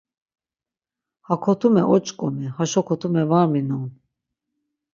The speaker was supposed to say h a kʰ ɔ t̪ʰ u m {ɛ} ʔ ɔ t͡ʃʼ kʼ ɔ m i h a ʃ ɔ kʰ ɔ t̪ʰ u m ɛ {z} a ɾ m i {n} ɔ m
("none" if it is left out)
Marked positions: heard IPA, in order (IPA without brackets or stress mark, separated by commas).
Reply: ɛ, v, n